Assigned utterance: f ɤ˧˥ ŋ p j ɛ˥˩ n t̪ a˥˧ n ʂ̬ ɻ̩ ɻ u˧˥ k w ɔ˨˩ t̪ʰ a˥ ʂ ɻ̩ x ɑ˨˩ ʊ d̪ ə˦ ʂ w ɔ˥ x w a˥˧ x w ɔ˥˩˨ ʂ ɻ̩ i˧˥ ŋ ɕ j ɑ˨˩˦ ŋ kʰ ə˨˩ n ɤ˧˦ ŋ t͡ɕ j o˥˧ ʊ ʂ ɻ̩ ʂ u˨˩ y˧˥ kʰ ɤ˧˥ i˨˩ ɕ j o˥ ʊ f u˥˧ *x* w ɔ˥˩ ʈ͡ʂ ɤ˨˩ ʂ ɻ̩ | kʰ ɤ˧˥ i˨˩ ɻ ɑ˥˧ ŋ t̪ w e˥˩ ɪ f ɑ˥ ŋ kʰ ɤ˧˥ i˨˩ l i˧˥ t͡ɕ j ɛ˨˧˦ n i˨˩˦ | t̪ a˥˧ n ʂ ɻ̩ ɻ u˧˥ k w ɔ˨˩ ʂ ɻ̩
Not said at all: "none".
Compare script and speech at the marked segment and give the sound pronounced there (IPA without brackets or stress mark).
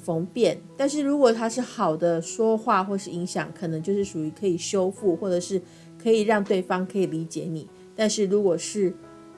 x